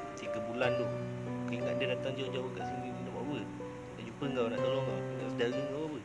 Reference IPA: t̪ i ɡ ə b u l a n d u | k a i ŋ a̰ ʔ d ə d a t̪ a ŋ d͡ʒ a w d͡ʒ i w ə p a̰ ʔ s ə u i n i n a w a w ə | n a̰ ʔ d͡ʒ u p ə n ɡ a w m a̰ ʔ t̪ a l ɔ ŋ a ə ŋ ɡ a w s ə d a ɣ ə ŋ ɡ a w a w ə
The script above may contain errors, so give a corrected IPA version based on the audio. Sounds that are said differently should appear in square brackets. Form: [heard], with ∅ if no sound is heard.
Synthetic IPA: t̪ i ɡ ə b u l a n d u | k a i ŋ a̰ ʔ d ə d a t̪ a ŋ d͡ʒ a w d͡ʒ [a] w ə [k] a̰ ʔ s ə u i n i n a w a w ə | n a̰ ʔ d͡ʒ u p ə [ŋ] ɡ a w [n] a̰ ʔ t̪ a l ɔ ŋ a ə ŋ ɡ a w s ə d a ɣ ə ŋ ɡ a w a w ə